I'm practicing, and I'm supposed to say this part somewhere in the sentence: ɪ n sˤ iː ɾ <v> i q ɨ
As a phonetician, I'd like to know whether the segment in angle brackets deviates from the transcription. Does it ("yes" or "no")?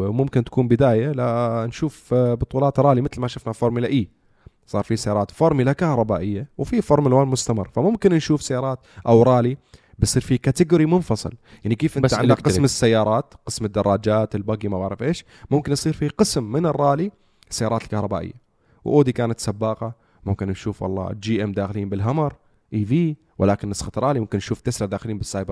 yes